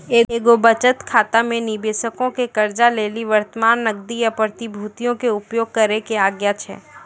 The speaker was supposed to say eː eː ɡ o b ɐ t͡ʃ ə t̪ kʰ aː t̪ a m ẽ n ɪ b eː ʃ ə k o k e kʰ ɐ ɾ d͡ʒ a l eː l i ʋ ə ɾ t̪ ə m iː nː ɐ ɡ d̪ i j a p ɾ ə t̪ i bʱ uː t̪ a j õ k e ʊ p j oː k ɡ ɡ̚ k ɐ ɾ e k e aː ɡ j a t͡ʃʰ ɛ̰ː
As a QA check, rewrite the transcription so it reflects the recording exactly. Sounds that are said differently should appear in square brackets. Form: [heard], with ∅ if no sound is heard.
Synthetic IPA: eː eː ɡ o b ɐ t͡ʃ ə t̪ kʰ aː t̪ a m ẽ n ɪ b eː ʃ ə k [õ] k e [k] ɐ ɾ d͡ʒ a l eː l i ʋ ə ɾ t̪ ə m [aː] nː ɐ ɡ d̪ i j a p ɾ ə t̪ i bʱ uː t̪ [i] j õ k e ʊ p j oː [∅] ɡ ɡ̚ k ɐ ɾ e k e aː ɡ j a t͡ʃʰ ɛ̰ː